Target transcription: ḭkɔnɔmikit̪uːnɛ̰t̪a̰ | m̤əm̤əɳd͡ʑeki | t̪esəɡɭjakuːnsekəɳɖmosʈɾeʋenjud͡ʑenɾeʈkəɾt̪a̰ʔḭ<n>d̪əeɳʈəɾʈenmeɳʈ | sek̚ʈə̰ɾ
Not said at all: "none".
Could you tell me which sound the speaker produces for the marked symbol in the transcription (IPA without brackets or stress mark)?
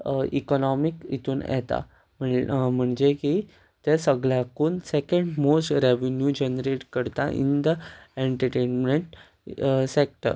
n